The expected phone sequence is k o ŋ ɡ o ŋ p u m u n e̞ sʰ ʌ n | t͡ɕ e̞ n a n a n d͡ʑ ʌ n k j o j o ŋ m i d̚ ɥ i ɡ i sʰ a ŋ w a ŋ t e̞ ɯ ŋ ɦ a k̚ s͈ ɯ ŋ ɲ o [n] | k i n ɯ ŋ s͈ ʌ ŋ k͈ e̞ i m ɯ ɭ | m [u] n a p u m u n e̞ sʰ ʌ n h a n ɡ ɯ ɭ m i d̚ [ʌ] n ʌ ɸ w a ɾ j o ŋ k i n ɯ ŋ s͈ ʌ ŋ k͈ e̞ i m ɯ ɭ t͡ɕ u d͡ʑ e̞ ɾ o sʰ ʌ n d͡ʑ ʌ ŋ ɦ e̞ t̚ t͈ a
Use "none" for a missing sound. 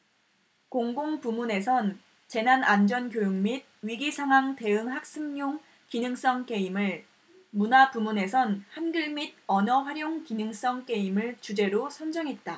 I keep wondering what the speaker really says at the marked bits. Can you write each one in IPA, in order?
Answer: ŋ, u, ʌ

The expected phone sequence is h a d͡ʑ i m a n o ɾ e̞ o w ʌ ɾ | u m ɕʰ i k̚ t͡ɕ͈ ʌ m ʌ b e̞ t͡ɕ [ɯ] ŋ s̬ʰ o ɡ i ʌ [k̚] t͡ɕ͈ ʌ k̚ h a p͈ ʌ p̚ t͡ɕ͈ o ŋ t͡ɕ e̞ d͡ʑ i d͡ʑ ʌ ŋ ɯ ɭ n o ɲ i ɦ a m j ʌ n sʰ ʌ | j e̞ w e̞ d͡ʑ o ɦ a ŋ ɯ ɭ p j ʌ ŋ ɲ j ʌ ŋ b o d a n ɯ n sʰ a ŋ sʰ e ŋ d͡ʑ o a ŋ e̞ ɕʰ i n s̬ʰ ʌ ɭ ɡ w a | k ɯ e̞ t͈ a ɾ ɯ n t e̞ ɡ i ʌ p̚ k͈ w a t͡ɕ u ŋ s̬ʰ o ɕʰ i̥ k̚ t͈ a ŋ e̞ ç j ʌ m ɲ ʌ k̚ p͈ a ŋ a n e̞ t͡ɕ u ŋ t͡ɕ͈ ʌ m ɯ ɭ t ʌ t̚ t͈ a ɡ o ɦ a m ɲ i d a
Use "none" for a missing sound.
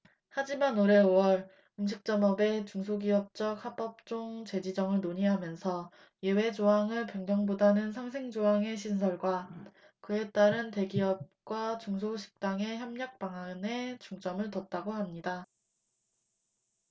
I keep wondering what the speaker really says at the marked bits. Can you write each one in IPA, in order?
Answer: u, p̚

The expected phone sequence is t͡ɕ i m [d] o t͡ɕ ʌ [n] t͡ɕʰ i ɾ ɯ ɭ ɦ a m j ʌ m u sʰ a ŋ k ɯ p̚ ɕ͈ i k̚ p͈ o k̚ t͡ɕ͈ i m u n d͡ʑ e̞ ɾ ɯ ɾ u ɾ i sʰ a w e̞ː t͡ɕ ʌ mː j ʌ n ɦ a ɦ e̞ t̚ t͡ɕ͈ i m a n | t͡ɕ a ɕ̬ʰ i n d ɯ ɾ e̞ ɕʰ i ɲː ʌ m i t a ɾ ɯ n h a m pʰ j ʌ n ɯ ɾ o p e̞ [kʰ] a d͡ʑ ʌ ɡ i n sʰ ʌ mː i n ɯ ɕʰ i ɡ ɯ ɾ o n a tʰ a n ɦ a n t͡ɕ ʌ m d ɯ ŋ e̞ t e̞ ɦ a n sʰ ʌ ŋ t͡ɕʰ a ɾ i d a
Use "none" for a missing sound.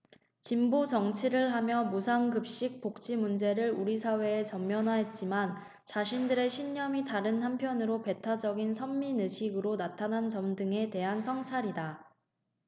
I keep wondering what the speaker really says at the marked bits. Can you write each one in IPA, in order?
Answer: b, ŋ, tʰ

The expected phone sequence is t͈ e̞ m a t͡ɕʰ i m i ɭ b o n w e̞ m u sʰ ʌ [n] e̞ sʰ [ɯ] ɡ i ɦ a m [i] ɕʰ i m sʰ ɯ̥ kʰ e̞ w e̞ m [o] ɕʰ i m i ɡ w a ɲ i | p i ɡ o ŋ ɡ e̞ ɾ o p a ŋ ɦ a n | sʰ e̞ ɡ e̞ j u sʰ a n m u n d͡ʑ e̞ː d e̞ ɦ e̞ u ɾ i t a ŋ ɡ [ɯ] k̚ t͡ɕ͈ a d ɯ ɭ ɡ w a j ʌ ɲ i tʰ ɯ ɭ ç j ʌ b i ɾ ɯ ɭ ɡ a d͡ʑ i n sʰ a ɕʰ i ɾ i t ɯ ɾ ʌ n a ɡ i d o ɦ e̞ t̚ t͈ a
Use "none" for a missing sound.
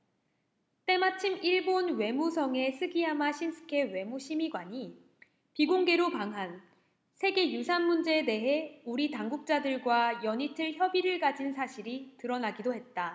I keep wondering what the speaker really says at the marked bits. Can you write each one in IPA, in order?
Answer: ŋ, ɯ, a, u, u

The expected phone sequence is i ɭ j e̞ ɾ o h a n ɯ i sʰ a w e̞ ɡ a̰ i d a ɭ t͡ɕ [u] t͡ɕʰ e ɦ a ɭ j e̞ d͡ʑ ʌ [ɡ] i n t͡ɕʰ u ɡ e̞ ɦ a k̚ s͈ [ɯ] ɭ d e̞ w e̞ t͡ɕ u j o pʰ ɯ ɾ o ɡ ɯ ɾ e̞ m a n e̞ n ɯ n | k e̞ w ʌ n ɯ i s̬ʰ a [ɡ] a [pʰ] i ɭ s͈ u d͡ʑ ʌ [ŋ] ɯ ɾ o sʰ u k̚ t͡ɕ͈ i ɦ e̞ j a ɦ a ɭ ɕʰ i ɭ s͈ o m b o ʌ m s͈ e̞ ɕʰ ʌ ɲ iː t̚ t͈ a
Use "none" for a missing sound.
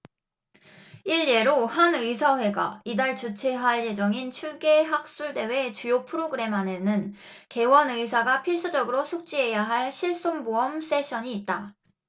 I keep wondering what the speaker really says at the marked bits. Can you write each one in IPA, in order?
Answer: u, ŋ, u, ɡ, pʰ, ɡ

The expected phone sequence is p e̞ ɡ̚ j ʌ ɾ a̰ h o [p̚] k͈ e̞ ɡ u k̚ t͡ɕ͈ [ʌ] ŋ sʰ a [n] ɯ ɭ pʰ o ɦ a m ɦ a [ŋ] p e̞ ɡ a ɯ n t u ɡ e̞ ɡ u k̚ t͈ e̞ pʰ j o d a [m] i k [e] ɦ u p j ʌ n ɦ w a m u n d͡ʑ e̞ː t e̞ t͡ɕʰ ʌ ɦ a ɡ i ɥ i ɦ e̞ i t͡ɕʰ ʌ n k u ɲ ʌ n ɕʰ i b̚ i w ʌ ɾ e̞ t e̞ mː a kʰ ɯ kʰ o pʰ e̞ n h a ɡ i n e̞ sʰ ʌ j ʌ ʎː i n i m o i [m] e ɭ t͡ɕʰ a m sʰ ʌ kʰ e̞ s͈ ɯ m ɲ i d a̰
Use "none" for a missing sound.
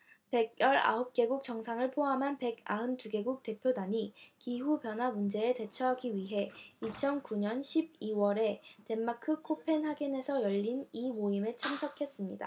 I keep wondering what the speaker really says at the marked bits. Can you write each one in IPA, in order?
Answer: p̚, ʌ, ŋ, n, ɲ, i, m

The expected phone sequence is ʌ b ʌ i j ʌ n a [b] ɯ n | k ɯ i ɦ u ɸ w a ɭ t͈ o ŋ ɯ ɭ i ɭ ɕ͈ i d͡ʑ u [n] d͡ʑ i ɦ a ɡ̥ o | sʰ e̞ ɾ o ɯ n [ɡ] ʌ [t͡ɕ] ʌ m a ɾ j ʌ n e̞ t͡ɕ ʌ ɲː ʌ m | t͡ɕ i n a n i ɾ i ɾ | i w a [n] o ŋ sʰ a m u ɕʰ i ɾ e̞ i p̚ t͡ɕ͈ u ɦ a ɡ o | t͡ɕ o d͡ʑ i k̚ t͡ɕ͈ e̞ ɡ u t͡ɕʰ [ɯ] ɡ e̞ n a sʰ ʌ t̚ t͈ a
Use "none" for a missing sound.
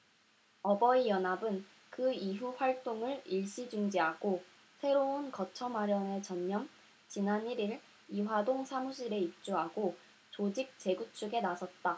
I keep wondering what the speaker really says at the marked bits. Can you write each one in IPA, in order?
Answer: b, ŋ, k, t͡ɕʰ, d, u

